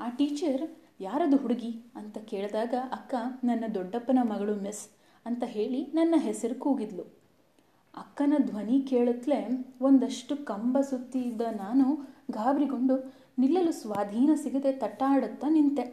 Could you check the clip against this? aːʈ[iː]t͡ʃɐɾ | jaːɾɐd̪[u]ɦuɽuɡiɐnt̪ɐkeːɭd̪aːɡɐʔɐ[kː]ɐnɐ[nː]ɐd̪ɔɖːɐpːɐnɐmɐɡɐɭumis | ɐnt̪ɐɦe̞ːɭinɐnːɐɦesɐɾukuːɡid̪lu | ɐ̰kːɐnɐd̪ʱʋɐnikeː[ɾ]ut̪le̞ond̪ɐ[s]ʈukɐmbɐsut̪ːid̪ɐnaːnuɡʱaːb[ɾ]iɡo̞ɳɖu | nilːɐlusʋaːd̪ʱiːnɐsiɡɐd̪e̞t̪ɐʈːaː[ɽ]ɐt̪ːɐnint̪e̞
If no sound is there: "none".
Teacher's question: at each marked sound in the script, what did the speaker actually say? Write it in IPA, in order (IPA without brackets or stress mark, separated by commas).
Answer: iː, u, kː, nː, ɭ, ʂ, ɾ, ɽ